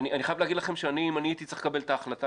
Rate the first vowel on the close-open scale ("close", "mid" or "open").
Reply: close